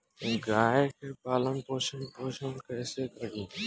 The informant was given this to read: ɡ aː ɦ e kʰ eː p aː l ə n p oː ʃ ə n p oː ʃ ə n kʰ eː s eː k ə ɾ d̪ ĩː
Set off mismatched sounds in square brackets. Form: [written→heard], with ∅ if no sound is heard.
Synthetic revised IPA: ɡ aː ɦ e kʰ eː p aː l ə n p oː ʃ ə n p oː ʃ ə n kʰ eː s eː k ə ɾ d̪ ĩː